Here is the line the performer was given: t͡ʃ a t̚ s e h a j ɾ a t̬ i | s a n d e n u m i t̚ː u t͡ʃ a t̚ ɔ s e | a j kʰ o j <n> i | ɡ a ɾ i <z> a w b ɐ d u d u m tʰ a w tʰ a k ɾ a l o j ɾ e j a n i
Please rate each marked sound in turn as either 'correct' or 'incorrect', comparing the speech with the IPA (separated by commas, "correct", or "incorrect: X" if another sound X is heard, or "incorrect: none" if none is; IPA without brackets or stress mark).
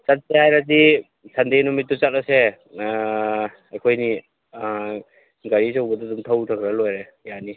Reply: correct, incorrect: s